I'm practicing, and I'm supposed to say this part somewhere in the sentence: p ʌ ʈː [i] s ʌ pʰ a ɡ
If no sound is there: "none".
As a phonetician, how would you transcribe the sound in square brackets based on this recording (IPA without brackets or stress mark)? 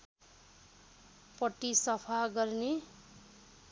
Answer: i